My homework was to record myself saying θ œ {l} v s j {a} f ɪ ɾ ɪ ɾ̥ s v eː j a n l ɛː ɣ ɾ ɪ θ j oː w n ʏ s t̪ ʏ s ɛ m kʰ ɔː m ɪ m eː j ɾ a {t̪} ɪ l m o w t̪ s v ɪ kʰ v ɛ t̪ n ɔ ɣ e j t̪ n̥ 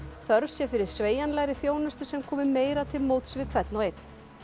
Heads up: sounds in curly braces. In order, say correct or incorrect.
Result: incorrect, incorrect, incorrect

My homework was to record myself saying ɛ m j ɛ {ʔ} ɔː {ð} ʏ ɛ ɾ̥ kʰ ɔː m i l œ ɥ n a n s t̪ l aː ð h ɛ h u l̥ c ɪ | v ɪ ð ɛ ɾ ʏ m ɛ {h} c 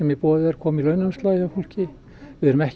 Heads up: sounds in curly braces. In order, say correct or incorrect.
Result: incorrect, correct, correct

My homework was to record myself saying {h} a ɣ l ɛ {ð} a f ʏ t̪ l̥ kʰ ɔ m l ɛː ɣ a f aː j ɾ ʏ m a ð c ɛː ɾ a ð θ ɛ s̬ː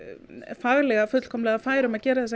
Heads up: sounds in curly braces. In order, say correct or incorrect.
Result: incorrect, incorrect

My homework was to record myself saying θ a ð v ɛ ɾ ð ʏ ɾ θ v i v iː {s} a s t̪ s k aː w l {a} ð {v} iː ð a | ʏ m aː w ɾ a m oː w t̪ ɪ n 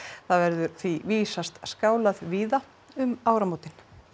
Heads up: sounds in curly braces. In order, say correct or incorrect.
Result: correct, correct, correct

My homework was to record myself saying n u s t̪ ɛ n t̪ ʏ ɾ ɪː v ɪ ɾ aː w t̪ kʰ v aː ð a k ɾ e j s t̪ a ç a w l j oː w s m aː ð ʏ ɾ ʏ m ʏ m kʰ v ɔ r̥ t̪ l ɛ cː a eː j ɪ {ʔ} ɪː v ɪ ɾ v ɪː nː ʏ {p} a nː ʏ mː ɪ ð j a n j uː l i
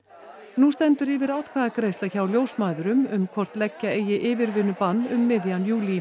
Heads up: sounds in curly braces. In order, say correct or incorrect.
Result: correct, correct

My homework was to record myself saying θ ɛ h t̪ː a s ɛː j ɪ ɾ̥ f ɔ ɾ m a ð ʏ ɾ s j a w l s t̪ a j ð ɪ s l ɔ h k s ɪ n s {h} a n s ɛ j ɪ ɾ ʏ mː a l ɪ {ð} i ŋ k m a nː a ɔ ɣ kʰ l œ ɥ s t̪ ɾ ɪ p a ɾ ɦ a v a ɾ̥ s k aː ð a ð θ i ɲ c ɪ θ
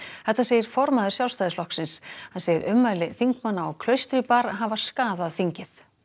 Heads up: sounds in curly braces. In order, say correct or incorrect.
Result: correct, incorrect

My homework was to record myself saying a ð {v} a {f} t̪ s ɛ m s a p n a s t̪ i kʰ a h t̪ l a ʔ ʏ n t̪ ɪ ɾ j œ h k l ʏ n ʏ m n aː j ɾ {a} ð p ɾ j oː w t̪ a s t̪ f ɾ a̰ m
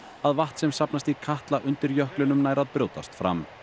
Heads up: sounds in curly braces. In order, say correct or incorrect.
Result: correct, incorrect, correct

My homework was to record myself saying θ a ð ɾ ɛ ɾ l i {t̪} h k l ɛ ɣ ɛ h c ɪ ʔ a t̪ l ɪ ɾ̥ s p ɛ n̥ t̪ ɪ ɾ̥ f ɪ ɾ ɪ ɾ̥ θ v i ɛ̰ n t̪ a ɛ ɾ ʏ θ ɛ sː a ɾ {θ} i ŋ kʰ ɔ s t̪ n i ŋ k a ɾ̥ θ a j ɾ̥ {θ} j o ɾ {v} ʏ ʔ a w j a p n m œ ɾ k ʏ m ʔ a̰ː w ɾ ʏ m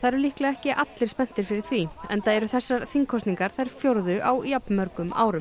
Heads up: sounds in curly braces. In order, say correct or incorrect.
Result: incorrect, correct, incorrect, incorrect

